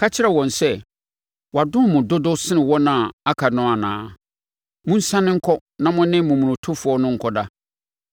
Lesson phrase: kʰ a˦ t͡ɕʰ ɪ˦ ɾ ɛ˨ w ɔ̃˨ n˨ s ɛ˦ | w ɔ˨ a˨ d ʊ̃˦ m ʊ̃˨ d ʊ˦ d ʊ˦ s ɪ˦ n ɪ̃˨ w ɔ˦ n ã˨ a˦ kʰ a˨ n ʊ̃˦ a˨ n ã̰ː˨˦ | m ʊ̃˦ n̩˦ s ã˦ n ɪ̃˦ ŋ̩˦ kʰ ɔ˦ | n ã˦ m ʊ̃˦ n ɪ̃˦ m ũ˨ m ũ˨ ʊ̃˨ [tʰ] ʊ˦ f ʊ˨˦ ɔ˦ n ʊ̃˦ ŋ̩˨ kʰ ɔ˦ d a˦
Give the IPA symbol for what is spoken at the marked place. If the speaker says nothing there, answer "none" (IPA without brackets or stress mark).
tʰ